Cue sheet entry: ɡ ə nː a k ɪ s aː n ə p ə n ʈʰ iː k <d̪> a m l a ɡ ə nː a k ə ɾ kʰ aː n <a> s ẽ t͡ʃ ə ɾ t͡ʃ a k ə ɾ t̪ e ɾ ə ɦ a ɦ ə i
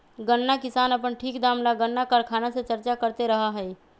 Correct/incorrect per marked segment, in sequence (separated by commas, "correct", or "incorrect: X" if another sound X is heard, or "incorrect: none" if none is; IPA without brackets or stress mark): correct, correct